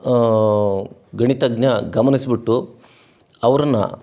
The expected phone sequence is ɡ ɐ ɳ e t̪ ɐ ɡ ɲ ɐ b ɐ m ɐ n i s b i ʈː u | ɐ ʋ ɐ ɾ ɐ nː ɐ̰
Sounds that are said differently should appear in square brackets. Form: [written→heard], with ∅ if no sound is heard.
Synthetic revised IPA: ɡ ɐ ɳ [e→i] t̪ ɐ ɡ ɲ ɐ [b→ɡ] ɐ m ɐ n i s b i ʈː u | ɐ ʋ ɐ ɾ ɐ nː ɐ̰